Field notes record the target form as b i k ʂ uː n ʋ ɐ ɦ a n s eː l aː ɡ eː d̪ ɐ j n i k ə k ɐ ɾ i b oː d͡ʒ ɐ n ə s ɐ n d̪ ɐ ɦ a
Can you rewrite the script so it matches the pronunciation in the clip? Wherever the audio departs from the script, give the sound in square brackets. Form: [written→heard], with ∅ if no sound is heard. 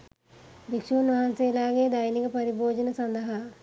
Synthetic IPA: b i k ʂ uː n ʋ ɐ ɦ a n s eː l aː ɡ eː d̪ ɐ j n i k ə [k→p] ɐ ɾ i b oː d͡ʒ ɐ n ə s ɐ n d̪ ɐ ɦ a